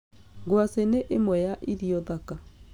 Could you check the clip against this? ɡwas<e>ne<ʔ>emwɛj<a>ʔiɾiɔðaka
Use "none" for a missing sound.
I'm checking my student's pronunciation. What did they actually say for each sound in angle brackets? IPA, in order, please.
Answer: e, ʔ, a

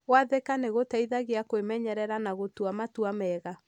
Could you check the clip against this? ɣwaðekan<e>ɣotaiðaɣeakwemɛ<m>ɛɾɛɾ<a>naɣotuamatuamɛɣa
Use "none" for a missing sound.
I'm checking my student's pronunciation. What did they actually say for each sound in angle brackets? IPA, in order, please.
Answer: e, ɲ, a

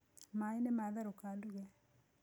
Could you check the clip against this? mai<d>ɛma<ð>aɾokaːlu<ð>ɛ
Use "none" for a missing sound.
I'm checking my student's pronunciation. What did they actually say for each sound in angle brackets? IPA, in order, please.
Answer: n, ð, ɣ

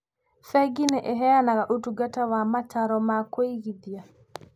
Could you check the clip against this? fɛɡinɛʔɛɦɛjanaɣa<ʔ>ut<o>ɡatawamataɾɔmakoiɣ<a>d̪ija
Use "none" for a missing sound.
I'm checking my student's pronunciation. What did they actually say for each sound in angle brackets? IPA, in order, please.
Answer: ʔ, u, i

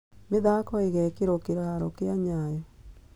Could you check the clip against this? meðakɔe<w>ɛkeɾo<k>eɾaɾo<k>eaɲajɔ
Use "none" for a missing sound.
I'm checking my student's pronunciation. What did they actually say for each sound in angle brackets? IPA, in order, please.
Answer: ɣ, k, k

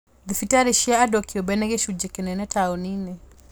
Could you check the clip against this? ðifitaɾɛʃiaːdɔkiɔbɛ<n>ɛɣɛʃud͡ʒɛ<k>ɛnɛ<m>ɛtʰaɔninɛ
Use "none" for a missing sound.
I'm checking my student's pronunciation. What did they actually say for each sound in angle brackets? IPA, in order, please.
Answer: n, k, n

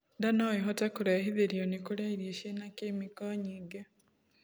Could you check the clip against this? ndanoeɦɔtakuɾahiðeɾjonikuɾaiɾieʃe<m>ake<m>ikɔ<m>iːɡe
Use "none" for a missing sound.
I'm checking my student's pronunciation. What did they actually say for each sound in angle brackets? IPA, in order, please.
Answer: n, m, ɲ

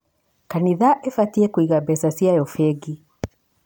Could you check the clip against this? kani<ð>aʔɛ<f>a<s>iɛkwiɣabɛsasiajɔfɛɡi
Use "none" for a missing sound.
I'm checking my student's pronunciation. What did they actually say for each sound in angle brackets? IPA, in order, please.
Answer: ð, f, t

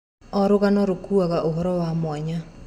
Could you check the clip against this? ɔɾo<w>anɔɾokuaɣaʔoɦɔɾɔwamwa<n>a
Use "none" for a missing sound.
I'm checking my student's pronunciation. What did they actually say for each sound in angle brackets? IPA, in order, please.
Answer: ɣ, ɲ

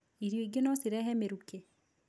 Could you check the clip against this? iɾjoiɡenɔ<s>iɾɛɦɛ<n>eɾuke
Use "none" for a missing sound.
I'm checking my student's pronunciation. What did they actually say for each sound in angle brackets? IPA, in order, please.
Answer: s, m

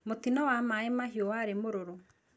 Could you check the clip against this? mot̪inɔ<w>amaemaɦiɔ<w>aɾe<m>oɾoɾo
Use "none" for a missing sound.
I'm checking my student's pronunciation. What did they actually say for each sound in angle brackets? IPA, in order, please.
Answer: w, w, m

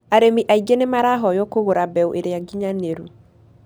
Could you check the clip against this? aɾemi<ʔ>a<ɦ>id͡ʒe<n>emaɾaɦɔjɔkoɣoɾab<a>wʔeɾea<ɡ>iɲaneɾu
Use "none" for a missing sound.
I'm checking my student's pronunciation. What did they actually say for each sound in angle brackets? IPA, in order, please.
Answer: ʔ, none, n, ɛ, ɡ

